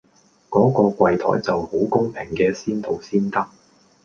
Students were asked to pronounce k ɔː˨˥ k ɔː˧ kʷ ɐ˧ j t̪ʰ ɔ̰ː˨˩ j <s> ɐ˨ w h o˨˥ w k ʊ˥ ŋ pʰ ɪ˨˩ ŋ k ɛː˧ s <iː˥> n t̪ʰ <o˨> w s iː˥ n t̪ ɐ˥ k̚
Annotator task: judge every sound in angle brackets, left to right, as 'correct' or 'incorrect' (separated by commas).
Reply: incorrect, correct, correct